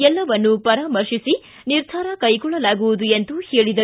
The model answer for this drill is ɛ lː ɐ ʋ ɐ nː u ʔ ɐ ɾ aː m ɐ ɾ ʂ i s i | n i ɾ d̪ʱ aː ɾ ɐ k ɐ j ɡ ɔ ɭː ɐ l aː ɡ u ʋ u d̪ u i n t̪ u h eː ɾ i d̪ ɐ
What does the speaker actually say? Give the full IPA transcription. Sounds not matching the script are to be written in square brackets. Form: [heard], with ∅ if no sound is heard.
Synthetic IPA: ɛ lː ɐ ʋ ɐ nː u [p] ɐ ɾ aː m ɐ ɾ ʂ i s i | n i ɾ d̪ʱ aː ɾ ɐ k ɐ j ɡ ɔ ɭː ɐ l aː ɡ u ʋ u d̪ u [e] n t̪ u h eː [ɭ] i d̪ ɐ